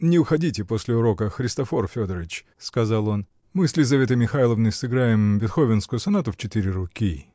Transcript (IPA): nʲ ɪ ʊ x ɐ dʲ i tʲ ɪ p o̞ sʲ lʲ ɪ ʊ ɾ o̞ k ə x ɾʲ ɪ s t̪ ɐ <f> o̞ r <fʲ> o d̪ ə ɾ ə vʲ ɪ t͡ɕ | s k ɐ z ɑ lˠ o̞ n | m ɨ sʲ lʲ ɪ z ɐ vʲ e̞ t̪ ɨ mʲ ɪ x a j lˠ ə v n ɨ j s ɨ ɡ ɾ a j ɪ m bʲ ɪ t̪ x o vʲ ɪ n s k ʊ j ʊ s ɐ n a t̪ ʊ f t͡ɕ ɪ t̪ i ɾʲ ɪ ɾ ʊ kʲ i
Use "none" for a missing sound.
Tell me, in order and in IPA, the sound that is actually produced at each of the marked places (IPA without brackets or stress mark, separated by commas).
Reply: f, fʲ